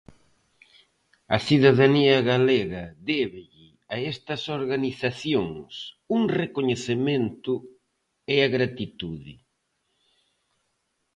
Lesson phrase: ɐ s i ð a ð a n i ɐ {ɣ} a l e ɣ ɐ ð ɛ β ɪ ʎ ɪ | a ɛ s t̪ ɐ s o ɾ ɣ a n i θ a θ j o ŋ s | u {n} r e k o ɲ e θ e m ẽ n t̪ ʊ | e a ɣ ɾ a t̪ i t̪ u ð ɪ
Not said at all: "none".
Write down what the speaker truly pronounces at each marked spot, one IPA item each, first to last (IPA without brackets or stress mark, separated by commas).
ɣ, ŋ